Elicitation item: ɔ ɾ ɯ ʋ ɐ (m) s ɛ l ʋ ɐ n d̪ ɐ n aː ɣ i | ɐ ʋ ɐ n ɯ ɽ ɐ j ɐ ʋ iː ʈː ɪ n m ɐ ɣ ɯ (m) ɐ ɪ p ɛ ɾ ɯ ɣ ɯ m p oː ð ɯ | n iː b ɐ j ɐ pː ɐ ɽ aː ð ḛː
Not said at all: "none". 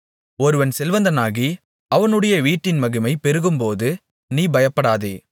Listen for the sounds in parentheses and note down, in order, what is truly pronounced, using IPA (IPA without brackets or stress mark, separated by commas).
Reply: n, m